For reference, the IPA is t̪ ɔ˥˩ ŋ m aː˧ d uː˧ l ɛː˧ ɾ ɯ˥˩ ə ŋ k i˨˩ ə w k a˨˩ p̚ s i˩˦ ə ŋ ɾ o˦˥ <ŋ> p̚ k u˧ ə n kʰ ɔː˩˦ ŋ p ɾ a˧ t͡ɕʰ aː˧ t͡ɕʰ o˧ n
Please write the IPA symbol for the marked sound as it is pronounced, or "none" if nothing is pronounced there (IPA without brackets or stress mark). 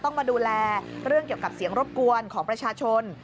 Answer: none